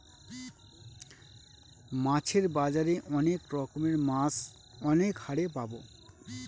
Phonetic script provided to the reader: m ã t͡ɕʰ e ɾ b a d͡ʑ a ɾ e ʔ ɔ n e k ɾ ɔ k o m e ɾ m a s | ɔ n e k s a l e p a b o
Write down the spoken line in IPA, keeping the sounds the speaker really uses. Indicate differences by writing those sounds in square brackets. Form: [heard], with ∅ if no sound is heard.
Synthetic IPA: m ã t͡ɕʰ e ɾ b a d͡ʑ a ɾ e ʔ ɔ n e k ɾ ɔ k o m e ɾ m a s | ɔ n e k [h] a [ɽ] e p a b o

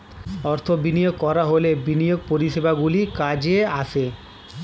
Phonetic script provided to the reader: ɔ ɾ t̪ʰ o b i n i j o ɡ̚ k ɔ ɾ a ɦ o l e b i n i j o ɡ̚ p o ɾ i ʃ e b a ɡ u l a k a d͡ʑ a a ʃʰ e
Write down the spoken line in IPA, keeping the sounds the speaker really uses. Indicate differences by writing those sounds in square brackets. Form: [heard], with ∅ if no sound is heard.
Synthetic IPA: ɔ ɾ t̪ʰ o b i n i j o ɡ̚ k ɔ ɾ a ɦ o l e b i n i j o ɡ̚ p o ɾ i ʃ e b a ɡ u l [i] k a d͡ʑ [e] a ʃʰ e

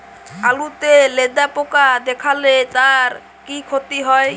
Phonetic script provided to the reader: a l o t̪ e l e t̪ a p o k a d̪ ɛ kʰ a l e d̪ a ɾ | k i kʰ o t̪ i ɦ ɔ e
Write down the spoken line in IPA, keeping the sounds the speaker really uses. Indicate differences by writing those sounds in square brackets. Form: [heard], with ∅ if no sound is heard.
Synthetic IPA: a l [u] t̪ e l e [d̪] a p o k a d̪ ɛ kʰ a l e [t̪] a ɾ | k i kʰ o t̪ i ɦ ɔ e

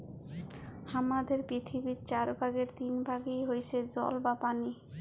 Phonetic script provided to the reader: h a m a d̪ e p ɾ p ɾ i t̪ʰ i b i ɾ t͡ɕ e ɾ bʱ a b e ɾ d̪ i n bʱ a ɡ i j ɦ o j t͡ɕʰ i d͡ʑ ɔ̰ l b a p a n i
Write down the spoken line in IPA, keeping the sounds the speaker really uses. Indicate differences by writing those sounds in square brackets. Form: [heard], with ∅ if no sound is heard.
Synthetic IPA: h a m a d̪ e [∅] ɾ p ɾ i t̪ʰ i b i ɾ t͡ɕ [a] ɾ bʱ a [ɡ] e ɾ [t̪] i n bʱ a ɡ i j ɦ o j t͡ɕʰ [e] d͡ʑ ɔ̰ l b a p a n i

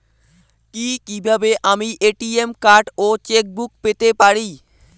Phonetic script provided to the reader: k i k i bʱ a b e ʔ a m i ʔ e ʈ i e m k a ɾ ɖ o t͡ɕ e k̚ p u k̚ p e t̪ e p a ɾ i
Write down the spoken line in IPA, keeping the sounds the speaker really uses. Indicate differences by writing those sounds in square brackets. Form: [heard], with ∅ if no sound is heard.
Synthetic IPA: k i k i bʱ a b e ʔ a m i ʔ e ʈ i e m k a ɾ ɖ o t͡ɕ e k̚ [b] u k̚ p e t̪ e p a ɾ i

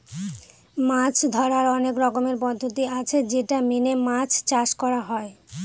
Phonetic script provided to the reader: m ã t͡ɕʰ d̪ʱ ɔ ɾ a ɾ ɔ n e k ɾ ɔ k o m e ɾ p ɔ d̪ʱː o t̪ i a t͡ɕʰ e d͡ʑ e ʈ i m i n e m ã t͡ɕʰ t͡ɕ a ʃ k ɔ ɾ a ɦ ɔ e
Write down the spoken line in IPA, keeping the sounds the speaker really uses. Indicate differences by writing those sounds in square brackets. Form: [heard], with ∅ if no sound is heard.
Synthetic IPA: m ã t͡ɕʰ d̪ʱ ɔ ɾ a ɾ ɔ n e k ɾ ɔ k o m e ɾ p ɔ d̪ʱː o t̪ i a t͡ɕʰ e d͡ʑ e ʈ [a] m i n e m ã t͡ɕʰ t͡ɕ a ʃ k ɔ ɾ a ɦ ɔ e

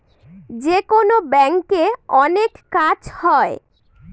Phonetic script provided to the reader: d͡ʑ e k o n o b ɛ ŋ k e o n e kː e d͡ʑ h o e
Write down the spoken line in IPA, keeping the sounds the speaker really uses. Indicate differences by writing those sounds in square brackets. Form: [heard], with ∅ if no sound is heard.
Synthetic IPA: d͡ʑ e k o n o b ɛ ŋ k e [ɔ] n e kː [a] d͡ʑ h [ɔ] e

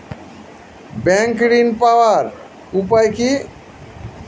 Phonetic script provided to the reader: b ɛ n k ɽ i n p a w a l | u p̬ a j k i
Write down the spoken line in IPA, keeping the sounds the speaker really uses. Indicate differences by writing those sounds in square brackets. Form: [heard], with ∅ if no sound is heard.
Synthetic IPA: b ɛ [ŋ] k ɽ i n p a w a [ɾ] | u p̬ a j k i

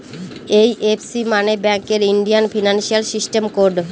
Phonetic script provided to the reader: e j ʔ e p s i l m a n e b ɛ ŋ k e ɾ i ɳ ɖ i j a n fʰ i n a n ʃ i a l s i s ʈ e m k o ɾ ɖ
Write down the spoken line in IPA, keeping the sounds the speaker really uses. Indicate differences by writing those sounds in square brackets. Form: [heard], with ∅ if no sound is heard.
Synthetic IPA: e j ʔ e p s i [∅] m a n e b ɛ ŋ k e ɾ i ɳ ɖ i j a n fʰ i n a n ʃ i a l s i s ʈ e m k o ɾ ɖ

